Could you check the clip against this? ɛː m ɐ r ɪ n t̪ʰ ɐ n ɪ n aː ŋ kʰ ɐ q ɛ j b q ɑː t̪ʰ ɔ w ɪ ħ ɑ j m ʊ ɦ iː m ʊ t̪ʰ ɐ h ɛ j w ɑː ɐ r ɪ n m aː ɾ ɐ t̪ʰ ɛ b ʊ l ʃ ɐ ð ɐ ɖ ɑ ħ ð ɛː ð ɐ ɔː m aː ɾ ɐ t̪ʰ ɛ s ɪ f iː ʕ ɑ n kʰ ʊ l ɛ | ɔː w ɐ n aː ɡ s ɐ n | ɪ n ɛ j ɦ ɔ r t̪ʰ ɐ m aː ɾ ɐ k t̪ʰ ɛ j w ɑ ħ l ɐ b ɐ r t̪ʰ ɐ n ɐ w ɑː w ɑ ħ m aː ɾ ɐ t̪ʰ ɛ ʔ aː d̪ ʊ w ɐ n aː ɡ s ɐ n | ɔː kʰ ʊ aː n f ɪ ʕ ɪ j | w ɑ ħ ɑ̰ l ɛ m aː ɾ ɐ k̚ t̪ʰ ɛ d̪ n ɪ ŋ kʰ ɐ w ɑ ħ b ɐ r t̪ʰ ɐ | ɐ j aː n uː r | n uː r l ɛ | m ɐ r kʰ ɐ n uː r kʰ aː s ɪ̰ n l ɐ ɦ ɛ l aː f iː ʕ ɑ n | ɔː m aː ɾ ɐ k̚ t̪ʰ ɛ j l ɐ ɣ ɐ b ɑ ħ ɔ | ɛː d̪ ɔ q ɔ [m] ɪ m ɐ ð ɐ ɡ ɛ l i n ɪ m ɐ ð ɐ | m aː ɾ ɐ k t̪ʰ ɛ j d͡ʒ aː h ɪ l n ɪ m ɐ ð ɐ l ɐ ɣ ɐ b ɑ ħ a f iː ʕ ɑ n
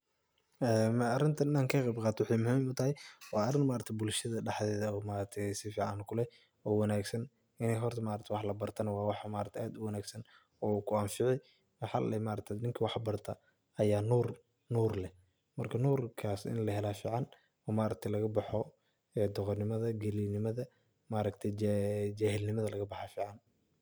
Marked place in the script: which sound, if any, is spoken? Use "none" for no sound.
n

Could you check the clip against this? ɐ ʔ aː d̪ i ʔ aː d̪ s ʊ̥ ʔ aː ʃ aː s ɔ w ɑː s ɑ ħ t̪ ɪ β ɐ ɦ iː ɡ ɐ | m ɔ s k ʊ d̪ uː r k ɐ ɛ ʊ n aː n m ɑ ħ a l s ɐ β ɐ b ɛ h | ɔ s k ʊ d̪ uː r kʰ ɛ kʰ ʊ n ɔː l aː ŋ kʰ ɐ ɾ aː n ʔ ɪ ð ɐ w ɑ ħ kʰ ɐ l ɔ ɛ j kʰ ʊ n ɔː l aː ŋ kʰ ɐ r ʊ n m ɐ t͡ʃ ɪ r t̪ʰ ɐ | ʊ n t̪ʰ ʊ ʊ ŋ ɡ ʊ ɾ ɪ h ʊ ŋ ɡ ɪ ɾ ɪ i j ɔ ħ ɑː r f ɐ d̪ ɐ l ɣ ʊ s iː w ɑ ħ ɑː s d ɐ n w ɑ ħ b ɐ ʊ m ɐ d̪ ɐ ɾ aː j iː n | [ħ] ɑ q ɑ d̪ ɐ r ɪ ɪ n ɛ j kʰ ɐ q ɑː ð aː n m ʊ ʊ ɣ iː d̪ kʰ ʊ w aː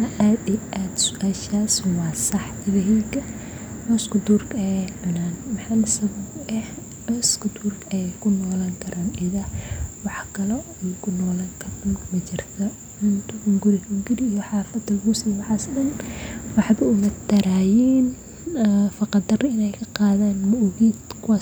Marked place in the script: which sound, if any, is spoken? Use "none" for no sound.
f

